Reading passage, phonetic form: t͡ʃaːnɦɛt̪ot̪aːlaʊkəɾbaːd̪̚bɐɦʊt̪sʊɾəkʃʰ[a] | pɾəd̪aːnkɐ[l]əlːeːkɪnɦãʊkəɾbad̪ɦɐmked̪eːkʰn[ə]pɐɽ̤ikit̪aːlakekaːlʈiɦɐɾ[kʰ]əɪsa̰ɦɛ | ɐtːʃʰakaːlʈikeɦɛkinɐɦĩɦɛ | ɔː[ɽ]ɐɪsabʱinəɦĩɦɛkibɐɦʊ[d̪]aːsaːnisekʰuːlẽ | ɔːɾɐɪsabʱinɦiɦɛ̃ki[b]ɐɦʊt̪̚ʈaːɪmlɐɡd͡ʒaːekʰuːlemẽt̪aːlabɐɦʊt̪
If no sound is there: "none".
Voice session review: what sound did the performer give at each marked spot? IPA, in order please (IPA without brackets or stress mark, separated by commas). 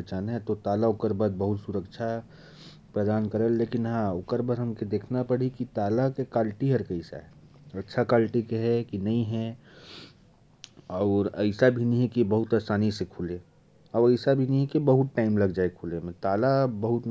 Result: a, ɾ, a, k, ɾ, t̪, b